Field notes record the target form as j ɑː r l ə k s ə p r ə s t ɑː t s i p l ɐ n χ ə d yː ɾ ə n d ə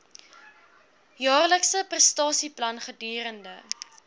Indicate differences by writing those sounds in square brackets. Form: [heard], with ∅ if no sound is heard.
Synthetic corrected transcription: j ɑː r l ə k s ə p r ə s t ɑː [∅] s i p l ɐ n χ ə d yː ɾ ə n d ə